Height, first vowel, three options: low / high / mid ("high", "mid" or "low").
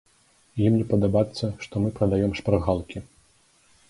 high